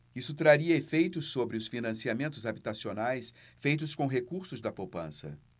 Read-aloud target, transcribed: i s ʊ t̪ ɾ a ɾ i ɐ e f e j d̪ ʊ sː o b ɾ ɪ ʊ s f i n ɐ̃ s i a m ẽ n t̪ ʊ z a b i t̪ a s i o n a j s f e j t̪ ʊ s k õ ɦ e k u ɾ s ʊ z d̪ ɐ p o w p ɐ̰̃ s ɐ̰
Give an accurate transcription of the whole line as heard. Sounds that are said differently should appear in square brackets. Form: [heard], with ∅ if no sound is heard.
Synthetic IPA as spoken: i s ʊ t̪ ɾ a ɾ i ɐ e f e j [t̪] ʊ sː o b ɾ ɪ ʊ s f i n ɐ̃ s i a m ẽ n t̪ ʊ z a b i t̪ a s i o n a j s f e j t̪ ʊ s k õ ɦ e k u ɾ s ʊ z d̪ ɐ p o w p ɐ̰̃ s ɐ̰